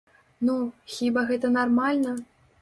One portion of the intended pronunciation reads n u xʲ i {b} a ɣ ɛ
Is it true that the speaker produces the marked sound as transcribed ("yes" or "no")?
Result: yes